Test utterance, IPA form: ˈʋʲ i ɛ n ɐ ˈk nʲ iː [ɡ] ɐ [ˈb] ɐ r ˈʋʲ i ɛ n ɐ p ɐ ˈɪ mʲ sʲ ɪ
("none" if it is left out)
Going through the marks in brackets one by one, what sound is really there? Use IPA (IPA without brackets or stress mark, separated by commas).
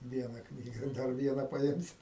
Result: ɡ, d